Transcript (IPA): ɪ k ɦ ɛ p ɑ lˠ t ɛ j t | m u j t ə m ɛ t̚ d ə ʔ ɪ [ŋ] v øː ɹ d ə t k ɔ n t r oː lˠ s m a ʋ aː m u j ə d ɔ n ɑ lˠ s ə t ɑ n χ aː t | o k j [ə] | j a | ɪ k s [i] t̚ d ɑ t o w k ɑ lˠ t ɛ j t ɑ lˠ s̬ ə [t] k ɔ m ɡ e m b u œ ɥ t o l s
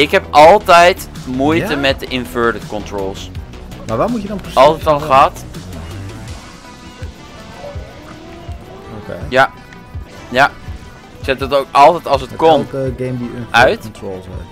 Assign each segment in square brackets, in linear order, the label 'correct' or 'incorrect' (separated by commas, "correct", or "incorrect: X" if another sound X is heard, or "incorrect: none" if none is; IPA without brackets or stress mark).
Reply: incorrect: n, incorrect: a, incorrect: ɛ, correct